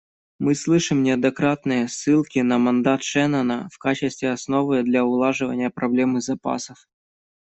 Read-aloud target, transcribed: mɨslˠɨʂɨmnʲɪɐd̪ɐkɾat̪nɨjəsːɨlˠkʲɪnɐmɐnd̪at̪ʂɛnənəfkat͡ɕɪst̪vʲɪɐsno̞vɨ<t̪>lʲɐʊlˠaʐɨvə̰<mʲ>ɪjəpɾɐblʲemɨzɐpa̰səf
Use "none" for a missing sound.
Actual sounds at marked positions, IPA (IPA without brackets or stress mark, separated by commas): d̪, nʲ